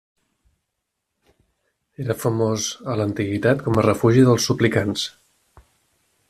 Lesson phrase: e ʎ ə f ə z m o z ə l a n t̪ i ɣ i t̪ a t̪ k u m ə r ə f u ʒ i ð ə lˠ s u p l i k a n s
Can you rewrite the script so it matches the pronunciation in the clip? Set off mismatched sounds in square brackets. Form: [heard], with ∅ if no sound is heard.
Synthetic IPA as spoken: e [ɾ] ə f ə [∅] m o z ə l [ə] n t̪ i ɣ i t̪ a t̪ k [ɔ] m ə r ə f u ʒ i ð ə lˠ s u p l i k a n s